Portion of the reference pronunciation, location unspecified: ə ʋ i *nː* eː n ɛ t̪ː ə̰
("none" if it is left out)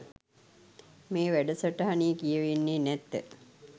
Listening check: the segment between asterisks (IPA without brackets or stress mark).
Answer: nː